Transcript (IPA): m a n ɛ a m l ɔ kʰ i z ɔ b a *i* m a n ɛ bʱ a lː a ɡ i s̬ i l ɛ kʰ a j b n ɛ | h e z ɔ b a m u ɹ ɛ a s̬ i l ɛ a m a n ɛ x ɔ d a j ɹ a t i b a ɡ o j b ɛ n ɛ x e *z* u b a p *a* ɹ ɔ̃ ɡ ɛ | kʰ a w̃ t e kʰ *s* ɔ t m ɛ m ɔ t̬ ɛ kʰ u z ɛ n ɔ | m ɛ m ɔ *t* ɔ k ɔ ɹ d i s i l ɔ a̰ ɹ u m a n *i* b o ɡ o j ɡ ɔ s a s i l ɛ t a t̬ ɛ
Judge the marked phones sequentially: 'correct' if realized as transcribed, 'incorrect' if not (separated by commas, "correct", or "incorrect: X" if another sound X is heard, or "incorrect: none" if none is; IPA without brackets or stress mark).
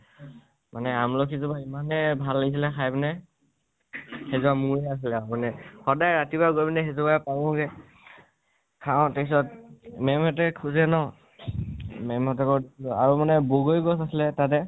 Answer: correct, correct, correct, correct, correct, incorrect: ɛ